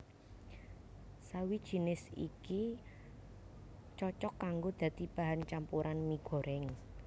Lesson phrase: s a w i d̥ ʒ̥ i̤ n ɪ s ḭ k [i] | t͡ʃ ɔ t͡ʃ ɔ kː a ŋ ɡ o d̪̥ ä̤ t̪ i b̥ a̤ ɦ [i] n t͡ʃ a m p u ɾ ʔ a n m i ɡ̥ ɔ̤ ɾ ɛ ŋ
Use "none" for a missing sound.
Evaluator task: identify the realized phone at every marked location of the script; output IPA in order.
i, a

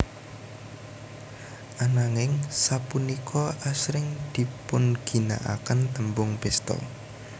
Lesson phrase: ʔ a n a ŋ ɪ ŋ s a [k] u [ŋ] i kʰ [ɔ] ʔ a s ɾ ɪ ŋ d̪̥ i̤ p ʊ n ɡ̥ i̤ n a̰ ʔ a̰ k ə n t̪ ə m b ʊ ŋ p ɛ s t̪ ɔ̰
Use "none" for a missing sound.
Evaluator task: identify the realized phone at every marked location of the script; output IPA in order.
p, n, ɔ

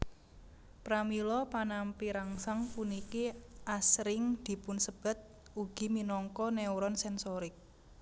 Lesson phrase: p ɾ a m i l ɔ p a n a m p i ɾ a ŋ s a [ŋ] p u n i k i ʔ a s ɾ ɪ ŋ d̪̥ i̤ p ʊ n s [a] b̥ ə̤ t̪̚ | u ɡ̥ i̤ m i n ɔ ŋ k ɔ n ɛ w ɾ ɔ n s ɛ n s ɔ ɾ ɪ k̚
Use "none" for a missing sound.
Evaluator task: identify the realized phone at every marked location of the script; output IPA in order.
ŋ, ə

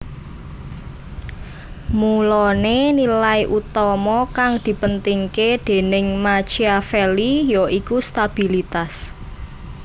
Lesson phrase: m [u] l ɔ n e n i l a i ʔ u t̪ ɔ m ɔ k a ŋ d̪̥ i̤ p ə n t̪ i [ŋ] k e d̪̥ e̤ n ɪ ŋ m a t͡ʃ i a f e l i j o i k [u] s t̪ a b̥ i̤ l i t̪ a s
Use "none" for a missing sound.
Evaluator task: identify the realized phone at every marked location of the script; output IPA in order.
u, ŋ, u

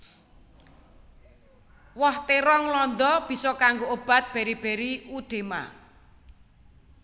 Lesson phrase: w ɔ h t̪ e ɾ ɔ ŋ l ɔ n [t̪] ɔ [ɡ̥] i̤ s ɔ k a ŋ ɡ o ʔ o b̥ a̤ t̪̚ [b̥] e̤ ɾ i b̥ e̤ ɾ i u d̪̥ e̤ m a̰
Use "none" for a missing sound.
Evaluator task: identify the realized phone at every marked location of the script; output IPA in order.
d̪, b̥, b̥

